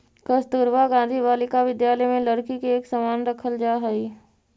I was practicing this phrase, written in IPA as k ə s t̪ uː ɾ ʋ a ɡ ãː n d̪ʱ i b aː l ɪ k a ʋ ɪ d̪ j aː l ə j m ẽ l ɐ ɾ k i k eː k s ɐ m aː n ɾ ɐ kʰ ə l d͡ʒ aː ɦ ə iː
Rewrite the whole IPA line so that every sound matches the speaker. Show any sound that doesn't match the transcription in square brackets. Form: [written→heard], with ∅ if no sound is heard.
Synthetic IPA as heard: k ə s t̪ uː ɾ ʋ a ɡ ãː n d̪ʱ i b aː l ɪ k a ʋ ɪ d̪ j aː l ə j m ẽ l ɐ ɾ k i k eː k s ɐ m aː n ɾ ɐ kʰ ə l d͡ʒ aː ɦ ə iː